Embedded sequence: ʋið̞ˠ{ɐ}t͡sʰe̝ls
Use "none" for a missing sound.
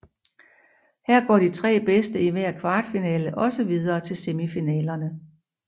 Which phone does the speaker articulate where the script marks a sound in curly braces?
ɐː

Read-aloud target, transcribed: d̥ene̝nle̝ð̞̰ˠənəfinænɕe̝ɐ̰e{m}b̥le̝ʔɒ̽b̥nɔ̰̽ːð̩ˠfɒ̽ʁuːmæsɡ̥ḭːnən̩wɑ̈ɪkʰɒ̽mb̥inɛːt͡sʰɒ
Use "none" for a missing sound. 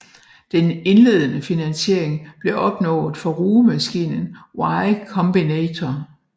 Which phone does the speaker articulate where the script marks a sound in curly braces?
ŋ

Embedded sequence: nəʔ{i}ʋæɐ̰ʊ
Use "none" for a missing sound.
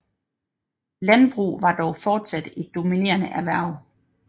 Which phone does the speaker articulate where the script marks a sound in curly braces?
æ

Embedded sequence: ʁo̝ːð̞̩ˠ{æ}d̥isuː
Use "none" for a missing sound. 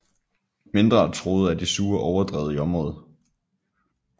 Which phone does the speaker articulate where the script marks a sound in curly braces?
æ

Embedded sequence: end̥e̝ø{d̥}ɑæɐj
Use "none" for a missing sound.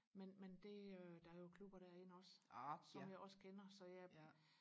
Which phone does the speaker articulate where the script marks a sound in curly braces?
d̥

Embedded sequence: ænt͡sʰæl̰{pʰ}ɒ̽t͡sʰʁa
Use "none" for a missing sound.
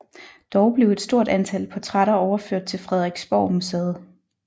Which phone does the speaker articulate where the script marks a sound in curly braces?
pʰ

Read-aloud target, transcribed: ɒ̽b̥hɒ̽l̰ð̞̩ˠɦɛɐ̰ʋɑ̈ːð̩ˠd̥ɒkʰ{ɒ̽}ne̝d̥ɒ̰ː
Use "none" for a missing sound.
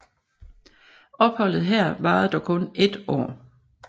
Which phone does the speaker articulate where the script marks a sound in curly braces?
ɔ̽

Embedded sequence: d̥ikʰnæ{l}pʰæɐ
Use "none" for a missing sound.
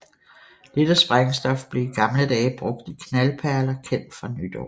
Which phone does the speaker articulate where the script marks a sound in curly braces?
l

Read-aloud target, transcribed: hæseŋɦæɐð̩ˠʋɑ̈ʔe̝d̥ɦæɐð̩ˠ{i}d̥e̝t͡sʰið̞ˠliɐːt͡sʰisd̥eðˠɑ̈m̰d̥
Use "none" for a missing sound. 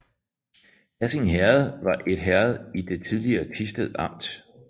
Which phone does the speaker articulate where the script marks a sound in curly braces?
i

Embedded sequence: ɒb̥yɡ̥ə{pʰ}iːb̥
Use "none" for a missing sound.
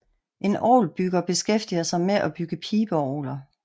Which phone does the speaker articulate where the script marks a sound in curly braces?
pʰ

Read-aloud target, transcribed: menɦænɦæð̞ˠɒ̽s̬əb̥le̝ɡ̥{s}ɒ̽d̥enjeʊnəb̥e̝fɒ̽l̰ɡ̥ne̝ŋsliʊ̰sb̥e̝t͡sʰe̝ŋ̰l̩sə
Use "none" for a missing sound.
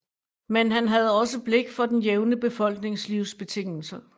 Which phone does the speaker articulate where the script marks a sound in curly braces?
f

